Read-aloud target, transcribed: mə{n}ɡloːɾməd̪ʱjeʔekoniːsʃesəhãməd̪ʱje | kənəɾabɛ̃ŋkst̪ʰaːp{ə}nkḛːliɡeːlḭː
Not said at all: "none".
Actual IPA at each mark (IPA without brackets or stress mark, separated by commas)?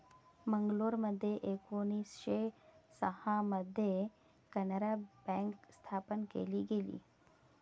ŋ, ə